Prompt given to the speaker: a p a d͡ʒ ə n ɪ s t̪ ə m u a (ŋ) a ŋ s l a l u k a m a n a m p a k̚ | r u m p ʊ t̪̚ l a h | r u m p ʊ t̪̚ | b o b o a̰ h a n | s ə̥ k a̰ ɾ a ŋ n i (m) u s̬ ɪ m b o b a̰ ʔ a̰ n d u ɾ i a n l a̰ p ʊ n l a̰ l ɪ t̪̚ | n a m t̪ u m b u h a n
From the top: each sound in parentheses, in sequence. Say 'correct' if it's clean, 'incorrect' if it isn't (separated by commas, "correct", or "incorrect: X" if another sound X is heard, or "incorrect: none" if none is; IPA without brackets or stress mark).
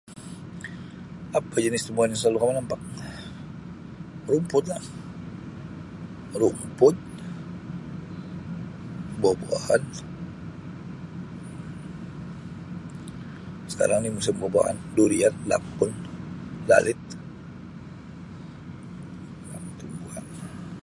incorrect: n, correct